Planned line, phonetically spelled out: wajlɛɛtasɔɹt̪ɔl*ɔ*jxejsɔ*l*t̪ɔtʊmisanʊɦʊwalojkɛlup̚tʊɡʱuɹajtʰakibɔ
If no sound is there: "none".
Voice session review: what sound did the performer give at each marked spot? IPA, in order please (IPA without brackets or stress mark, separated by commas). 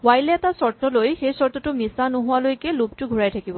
o, ɹ